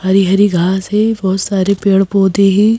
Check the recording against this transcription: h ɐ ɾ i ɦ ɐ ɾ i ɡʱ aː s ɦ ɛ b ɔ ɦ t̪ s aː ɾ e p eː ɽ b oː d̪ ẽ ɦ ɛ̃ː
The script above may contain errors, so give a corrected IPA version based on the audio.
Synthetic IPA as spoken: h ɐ ɾ i ɦ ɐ ɾ i ɡʱ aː s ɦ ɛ b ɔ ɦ t̪ s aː ɾ e p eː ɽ p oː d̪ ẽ ɦ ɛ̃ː

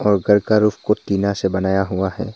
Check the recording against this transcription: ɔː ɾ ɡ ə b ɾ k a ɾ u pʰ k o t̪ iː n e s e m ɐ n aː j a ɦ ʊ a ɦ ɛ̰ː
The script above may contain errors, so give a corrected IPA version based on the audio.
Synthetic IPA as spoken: ɔː ɾ ɡ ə ɾ k a ɾ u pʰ k o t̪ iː n a s e b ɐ n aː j a ɦ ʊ a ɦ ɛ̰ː

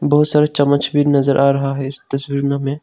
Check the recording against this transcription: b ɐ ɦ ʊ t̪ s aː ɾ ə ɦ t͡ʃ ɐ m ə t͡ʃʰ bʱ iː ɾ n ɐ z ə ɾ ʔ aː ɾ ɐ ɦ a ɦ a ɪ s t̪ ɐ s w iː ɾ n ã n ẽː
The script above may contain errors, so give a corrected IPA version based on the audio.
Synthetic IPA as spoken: b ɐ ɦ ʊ t̪ s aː ɾ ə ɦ t͡ʃ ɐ m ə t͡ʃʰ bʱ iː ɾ n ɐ z ə ɾ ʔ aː ɾ ɐ ɦ a ɦ ɛ ɪ s t̪ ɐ s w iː ɾ n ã m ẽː

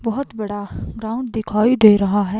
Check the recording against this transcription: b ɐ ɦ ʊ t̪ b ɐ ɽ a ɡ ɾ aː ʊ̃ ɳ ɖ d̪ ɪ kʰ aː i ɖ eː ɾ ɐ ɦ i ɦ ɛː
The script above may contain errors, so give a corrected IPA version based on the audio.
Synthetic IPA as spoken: b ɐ ɦ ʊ t̪ b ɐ ɽ a ɡ ɾ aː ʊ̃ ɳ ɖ d̪ ɪ kʰ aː i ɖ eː ɾ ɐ ɦ a ɦ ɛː

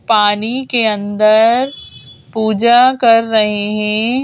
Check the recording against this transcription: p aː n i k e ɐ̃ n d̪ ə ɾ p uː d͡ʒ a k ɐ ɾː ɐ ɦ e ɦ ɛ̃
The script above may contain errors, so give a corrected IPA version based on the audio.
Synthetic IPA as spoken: p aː n i k e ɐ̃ n d̪ ə ɾ p uː d͡ʒ a k ɐ ɾː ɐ ɦ e ɦ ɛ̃

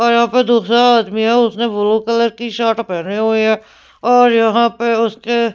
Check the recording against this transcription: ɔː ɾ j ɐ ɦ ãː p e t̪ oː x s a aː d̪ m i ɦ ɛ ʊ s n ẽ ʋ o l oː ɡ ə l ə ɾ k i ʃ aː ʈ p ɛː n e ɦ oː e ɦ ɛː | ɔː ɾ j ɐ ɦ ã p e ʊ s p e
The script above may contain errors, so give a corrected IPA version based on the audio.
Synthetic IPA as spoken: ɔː ɾ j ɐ ɦ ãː p e d̪ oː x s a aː d̪ m i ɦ ɛ ʊ s n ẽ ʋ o l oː k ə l ə ɾ k i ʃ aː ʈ p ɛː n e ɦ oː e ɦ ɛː | ɔː ɾ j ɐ ɦ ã p e ʊ s k e

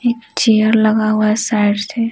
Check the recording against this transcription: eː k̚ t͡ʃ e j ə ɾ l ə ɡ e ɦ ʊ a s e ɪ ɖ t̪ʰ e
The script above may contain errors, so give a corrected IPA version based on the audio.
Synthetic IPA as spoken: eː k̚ t͡ʃ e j ə ɾ l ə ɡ a ɦ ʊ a s a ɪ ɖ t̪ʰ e

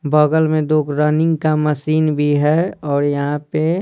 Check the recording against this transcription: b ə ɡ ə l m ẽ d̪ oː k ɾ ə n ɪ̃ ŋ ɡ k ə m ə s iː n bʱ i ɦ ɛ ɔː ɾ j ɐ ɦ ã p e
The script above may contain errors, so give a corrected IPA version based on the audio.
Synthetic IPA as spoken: b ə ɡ ə l m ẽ d̪ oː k ɾ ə n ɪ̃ ŋ ɡ k a m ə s iː n bʱ i ɦ ɛ ɔː ɾ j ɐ ɦ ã p e

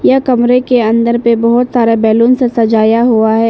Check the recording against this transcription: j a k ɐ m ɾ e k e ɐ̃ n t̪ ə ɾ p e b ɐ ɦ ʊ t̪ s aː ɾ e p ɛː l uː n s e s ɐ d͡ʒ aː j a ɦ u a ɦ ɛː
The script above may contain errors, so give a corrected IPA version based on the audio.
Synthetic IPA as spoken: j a k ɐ m ɾ e k e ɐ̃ n d̪ ə ɾ p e b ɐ ɦ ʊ t̪ s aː ɾ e b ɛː l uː n s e s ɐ d͡ʒ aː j a ɦ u a ɦ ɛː

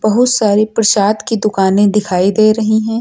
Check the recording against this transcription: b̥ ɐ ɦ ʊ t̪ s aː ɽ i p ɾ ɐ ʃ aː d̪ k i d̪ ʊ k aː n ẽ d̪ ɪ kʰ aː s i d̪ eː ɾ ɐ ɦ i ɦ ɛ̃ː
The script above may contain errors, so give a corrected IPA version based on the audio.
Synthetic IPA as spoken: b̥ ɐ ɦ ʊ t̪ s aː ɾ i p ɾ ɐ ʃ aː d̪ k i d̪ ʊ k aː n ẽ d̪ ɪ kʰ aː i d̪ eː ɾ ɐ ɦ i ɦ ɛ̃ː

